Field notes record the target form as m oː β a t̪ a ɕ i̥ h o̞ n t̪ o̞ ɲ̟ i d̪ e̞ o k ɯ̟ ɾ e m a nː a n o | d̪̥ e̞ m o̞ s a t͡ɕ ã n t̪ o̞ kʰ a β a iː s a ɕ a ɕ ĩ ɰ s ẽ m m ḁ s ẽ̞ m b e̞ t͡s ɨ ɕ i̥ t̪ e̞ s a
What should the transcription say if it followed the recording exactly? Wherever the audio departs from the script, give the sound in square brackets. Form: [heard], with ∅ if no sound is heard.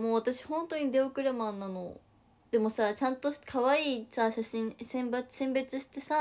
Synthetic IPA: m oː β a t̪ a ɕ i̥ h [õ̞] n t̪ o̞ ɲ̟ i d̪ e̞ o k ɯ̟ ɾ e m a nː a n o | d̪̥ e̞ m o̞ s a t͡ɕ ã n t̪ o̞ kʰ a β a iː s a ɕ a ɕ ĩ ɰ s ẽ m [b] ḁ s ẽ̞ m b e̞ t͡s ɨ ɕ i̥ t̪ e̞ s a